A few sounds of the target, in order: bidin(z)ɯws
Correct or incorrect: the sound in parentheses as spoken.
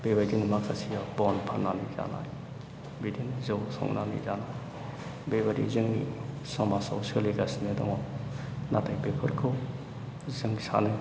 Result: correct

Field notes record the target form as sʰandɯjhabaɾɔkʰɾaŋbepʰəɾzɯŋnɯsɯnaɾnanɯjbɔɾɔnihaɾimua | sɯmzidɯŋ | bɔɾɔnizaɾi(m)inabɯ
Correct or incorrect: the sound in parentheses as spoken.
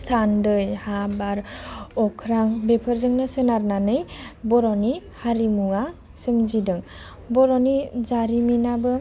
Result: correct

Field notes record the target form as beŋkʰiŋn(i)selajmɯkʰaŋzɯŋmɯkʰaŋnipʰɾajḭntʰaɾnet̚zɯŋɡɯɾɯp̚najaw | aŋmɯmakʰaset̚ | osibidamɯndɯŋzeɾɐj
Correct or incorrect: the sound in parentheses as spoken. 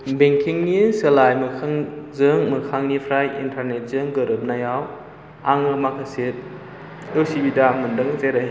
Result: correct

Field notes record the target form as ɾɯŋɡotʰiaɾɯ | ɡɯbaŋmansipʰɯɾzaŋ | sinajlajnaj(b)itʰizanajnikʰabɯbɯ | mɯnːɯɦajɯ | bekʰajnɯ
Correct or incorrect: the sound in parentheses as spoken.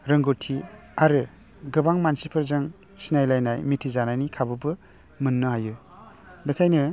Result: incorrect: m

